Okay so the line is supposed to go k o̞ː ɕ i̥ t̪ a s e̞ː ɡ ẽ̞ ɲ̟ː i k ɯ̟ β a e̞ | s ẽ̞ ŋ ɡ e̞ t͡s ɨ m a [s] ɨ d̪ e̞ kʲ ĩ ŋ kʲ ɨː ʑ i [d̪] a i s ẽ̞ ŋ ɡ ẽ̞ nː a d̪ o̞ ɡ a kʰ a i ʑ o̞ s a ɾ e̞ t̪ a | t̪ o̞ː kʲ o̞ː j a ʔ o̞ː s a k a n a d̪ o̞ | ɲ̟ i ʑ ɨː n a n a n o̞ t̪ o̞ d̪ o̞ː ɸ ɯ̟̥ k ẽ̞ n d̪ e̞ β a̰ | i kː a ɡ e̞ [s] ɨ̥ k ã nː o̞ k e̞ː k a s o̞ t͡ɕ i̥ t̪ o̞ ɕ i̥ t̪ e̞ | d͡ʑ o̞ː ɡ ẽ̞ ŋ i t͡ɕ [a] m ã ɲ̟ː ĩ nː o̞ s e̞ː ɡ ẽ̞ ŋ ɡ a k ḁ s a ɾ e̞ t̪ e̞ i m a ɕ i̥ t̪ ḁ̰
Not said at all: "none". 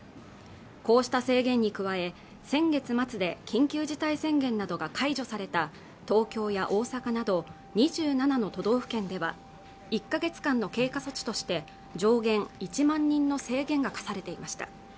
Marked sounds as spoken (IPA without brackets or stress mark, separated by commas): t͡s, t̪, t͡s, i